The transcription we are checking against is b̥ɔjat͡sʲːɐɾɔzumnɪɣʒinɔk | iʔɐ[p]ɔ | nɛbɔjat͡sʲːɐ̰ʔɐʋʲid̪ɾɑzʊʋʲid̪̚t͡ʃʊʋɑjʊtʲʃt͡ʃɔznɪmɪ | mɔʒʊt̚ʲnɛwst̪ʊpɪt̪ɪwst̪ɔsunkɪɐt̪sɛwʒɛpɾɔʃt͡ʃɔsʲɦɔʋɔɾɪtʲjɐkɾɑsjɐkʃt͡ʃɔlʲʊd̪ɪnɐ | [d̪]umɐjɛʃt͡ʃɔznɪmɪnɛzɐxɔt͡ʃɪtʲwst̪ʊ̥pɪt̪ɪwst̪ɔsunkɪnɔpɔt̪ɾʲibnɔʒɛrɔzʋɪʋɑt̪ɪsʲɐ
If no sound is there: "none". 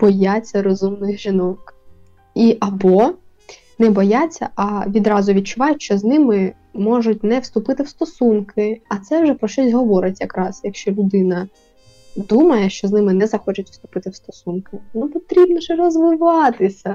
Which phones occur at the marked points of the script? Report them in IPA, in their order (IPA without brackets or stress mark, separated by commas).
b, d̪